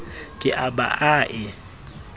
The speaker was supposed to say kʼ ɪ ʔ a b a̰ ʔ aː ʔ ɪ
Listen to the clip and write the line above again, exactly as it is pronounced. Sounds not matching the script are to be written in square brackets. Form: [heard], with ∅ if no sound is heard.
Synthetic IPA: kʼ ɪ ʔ a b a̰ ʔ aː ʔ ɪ